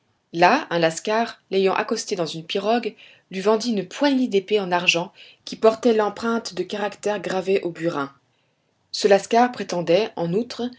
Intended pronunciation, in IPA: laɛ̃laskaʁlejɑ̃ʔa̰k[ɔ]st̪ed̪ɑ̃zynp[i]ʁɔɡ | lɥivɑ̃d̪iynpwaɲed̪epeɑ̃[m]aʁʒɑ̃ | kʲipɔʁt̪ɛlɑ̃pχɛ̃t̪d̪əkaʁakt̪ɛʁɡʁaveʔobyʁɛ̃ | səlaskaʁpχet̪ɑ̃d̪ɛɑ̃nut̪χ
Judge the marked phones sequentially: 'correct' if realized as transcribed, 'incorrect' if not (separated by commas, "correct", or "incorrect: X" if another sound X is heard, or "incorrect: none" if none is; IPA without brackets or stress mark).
correct, correct, incorrect: n